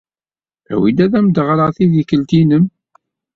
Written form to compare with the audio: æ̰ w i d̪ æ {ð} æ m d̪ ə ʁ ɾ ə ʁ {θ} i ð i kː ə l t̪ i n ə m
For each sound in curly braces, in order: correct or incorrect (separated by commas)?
correct, correct